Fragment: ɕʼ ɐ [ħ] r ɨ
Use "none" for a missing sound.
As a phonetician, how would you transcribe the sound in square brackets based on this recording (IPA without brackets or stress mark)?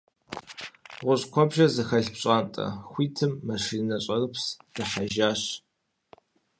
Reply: none